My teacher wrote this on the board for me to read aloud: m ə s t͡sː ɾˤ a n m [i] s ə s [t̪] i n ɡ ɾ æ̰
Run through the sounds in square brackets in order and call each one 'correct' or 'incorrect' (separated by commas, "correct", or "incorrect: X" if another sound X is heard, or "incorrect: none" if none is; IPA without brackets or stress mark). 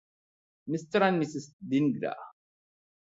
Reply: correct, incorrect: d̪